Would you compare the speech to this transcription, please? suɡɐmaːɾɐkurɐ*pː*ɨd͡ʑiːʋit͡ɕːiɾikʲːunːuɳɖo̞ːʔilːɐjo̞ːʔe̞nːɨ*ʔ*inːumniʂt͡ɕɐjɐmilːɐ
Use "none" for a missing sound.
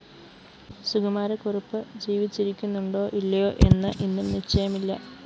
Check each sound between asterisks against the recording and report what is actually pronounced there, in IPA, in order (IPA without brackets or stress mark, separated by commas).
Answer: pː, ʔ